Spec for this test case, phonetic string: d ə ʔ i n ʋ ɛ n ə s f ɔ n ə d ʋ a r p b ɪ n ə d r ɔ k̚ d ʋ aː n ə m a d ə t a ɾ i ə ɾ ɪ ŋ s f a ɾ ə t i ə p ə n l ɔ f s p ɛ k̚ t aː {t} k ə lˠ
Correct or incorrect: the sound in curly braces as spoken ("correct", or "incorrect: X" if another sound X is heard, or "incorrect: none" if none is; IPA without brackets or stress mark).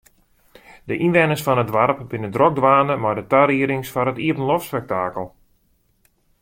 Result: incorrect: none